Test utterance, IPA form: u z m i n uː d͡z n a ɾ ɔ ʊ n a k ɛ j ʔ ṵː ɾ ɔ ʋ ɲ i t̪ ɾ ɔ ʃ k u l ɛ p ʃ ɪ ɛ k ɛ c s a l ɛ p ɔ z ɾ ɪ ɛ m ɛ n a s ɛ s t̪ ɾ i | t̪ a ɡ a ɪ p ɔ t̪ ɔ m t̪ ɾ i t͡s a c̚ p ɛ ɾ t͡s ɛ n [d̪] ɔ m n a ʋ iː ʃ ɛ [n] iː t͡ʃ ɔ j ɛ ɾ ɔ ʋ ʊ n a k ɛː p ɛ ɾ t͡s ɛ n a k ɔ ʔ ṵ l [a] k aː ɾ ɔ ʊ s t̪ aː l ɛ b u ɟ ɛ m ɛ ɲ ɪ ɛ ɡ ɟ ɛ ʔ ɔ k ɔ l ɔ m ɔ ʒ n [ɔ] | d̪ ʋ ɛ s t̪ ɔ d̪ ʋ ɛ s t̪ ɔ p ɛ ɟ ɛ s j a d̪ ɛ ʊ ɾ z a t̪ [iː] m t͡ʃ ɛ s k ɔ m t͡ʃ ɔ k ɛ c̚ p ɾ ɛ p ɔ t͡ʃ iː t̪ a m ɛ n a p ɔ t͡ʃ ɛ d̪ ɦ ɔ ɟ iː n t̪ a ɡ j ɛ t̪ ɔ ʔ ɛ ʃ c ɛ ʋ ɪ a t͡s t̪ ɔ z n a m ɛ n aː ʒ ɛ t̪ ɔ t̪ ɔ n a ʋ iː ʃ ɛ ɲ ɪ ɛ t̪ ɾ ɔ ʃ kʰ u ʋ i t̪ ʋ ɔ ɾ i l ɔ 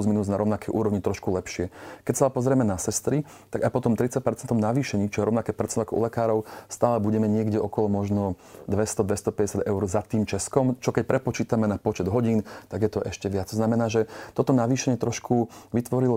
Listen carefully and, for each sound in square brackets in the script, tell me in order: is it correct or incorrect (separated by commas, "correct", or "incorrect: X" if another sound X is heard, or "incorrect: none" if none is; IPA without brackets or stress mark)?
incorrect: t̪, incorrect: ɲ, incorrect: ɛ, correct, correct